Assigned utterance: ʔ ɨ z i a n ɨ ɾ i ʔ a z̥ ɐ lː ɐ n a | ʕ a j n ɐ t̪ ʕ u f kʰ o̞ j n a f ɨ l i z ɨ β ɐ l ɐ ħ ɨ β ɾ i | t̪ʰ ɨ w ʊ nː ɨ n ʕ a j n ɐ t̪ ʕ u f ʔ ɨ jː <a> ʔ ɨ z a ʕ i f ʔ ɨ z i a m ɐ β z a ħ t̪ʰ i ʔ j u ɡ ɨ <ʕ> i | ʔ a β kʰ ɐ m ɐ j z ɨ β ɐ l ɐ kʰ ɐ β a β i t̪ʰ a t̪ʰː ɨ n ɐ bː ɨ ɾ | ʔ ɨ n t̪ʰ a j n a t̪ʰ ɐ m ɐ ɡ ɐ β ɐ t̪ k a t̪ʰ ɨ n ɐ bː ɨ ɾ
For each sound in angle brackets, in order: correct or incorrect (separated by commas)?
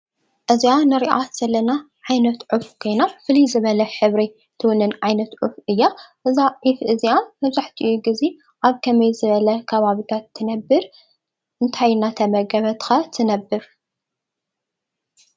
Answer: correct, incorrect